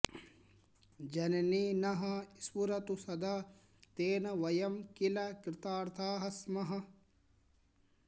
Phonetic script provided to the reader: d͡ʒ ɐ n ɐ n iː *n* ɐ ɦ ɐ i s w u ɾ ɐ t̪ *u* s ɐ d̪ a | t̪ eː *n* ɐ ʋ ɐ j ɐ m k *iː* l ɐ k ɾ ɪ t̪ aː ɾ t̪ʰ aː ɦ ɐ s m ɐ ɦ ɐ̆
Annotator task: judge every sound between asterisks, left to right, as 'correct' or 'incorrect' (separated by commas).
correct, correct, correct, incorrect